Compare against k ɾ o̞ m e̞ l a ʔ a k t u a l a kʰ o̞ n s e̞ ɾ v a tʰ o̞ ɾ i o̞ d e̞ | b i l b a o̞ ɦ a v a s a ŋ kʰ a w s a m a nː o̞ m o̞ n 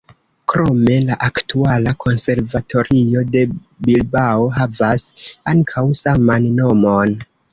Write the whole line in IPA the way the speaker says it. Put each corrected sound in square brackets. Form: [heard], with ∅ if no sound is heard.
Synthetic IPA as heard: k ɾ o̞ m e̞ l a ʔ a k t u a l a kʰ o̞ n s e̞ ɾ v a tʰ o̞ ɾ i o̞ d e̞ | b i l b a o̞ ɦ a v a s a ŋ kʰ a w s a m a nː o̞ m o̞ n